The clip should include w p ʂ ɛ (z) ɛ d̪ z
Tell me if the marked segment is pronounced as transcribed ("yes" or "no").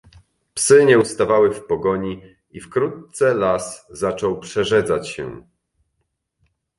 no